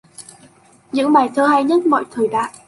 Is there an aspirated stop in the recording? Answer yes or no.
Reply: yes